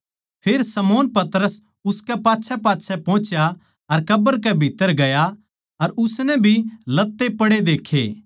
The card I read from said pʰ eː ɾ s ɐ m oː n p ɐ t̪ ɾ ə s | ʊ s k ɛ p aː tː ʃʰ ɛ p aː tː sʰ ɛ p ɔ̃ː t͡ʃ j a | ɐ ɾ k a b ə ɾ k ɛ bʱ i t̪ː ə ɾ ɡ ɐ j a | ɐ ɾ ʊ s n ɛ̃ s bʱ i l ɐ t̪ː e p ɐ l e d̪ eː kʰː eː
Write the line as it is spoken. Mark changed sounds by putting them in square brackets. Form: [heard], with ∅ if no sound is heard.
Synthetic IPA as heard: pʰ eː ɾ s ɐ m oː n p ɐ t̪ ɾ ə s | ʊ s k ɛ p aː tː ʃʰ ɛ p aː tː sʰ ɛ p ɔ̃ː t͡ʃ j a | ɐ ɾ k [ɐ] b ə ɾ k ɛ bʱ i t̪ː ə ɾ ɡ ɐ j a | ɐ ɾ ʊ s n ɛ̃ [∅] bʱ i l ɐ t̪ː e p ɐ [ɽ] e d̪ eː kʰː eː